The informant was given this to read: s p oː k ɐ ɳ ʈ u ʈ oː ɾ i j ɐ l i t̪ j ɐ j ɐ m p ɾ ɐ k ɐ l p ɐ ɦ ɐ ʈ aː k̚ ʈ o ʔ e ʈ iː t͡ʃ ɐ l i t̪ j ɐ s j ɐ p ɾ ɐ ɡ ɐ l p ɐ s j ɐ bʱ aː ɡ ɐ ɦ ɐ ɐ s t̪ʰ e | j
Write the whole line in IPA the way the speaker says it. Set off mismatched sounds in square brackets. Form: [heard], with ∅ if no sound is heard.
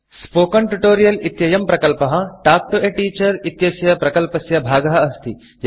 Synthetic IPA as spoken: s p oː k ɐ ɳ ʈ u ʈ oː ɾ i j ɐ l i t̪ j ɐ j ɐ m p ɾ ɐ k ɐ l p ɐ ɦ ɐ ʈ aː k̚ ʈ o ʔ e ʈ iː t͡ʃ ɐ [ɾ] i t̪ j ɐ s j ɐ p ɾ ɐ [k] ɐ l p ɐ s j ɐ bʱ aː ɡ ɐ ɦ ɐ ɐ s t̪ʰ [i] | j